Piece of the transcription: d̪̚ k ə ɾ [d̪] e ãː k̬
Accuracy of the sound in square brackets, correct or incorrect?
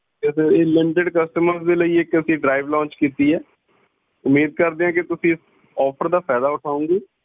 correct